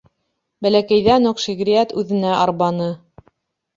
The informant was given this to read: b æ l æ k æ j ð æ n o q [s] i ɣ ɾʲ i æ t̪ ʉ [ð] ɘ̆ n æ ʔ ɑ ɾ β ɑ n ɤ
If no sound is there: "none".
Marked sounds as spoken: ʃ, ð

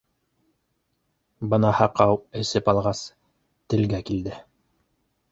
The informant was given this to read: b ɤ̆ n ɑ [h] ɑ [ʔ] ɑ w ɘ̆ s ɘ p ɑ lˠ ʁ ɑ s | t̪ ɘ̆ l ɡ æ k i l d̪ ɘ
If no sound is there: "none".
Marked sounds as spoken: h, q

